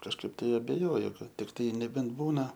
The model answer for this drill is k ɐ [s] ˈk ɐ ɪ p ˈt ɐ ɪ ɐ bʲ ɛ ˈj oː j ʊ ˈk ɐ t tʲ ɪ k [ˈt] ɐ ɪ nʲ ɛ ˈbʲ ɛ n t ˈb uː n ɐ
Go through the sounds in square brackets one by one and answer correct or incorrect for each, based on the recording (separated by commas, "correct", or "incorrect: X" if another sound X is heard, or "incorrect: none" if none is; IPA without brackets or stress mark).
incorrect: ʃ, correct